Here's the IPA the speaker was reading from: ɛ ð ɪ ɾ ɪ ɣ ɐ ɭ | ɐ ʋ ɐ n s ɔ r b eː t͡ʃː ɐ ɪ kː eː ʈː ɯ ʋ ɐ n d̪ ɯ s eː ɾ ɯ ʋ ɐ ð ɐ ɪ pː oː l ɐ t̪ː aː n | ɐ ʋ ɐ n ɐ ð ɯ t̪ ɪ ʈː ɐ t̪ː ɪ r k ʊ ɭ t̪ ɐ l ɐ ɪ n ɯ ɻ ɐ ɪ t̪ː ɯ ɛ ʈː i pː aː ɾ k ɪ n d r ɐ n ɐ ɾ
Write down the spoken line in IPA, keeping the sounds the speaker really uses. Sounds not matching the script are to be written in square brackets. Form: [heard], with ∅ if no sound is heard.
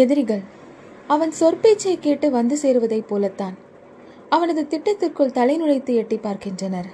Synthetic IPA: ɛ ð ɪ ɾ ɪ ɣ ɐ ɭ | ɐ ʋ ɐ n s ɔ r [p] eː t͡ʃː ɐ ɪ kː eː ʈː ɯ ʋ ɐ n d̪ ɯ s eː ɾ ɯ ʋ ɐ ð ɐ ɪ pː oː l ɐ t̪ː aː n | ɐ ʋ ɐ n ɐ ð ɯ t̪ ɪ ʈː ɐ t̪ː ɪ r k [ɯ] ɭ t̪ ɐ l ɐ ɪ n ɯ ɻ ɐ ɪ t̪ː ɯ ɛ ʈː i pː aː ɾ k ɪ n d r ɐ n ɐ ɾ